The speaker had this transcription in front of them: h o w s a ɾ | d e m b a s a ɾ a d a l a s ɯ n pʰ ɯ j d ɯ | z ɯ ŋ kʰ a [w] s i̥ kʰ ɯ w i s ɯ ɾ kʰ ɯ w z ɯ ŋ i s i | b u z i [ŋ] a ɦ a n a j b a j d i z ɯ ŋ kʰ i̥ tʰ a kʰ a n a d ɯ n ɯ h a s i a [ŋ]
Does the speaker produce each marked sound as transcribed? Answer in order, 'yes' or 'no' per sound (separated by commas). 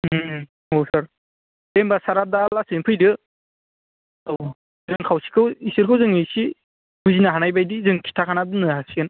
yes, no, no